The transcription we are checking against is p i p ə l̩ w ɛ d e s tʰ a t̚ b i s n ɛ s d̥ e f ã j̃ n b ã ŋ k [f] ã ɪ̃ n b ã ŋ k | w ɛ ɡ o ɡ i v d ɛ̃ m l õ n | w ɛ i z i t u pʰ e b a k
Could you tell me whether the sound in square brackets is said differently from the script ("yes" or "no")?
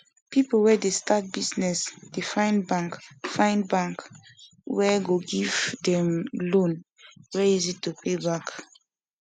no